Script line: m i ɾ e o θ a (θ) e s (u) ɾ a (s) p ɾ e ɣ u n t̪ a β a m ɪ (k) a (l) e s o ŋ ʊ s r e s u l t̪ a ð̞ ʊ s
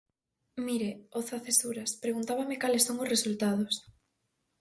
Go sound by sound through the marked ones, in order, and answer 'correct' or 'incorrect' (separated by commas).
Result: correct, correct, correct, correct, correct